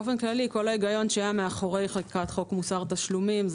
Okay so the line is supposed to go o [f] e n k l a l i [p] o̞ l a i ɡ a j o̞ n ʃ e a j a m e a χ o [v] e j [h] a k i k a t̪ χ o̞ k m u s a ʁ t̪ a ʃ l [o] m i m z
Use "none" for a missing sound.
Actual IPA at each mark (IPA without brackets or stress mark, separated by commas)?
f, k, ʁ, χ, u